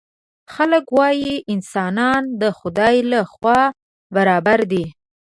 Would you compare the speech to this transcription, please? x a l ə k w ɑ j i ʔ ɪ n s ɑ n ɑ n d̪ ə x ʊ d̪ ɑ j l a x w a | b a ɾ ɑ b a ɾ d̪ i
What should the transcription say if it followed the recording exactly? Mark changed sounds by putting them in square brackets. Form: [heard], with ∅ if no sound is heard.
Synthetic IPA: x a l ə k w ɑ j i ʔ ɪ n s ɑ n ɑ n d̪ ə x ʊ d̪ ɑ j l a x w [ɑ] | b a ɾ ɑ b a ɾ d̪ i